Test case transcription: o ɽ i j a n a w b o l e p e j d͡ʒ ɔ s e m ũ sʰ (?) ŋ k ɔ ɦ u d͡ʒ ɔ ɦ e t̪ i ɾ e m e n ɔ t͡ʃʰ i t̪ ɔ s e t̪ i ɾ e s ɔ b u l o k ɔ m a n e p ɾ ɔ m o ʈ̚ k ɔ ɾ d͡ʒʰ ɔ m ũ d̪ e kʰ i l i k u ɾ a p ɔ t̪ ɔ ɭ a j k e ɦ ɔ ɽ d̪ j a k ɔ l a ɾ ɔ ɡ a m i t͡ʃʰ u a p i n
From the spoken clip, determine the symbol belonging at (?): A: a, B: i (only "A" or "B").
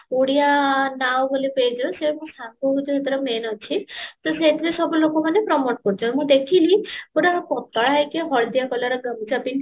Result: A